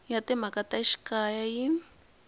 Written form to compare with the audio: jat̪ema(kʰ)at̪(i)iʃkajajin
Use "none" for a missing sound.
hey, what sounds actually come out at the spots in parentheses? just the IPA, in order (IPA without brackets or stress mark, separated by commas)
k, a